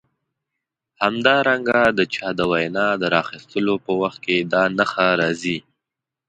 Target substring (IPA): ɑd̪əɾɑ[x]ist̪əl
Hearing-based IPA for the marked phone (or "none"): x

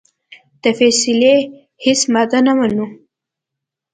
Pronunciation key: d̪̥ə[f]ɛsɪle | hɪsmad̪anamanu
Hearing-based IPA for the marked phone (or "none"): f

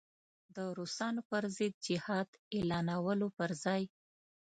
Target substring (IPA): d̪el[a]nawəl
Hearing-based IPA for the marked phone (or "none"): ɑ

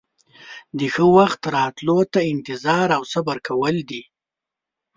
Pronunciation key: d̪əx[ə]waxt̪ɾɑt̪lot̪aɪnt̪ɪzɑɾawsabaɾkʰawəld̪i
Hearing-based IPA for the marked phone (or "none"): ə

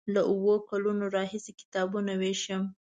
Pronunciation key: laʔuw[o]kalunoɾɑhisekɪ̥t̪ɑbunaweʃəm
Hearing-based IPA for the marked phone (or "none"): o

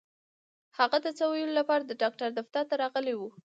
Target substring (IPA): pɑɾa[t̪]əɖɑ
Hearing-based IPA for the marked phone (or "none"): d̪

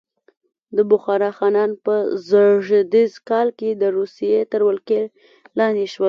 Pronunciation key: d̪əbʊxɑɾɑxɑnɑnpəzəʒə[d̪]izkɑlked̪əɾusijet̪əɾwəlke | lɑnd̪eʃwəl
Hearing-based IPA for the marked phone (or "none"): d̪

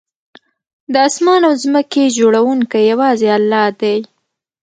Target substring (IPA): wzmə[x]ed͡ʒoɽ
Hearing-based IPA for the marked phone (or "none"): k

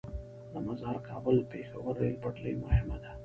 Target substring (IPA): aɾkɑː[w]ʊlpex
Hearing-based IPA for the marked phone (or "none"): b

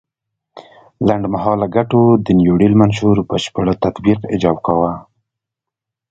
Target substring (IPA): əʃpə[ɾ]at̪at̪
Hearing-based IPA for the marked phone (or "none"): ɽ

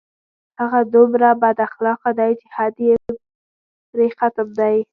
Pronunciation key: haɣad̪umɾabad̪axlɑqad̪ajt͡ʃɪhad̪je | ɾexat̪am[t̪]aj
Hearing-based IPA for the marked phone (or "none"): d̪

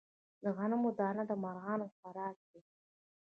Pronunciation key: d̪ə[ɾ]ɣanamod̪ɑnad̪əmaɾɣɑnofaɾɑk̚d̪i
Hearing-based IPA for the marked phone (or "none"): none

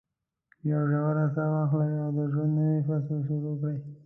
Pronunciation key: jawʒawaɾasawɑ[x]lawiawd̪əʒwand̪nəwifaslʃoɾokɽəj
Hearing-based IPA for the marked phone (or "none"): x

